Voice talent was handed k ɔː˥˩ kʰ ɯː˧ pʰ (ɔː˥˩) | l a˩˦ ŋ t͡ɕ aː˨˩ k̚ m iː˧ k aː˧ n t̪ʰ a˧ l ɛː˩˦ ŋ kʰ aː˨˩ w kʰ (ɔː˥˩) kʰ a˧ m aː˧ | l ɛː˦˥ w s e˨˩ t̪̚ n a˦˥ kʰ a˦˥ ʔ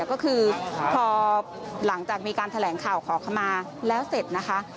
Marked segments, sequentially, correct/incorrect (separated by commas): incorrect, incorrect